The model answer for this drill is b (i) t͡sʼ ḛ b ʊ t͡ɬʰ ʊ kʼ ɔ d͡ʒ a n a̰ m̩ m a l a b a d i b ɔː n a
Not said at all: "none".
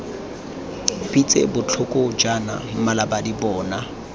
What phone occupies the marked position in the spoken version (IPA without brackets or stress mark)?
i